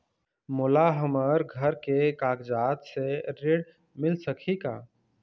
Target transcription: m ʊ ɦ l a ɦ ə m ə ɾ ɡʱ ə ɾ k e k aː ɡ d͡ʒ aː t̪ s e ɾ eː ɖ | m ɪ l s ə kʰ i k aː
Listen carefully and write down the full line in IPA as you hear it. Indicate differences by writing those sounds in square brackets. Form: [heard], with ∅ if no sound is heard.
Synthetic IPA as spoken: m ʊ [∅] l a ɦ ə m ə ɾ ɡʱ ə ɾ k e k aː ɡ d͡ʒ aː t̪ s e ɾ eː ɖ | m ɪ l s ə kʰ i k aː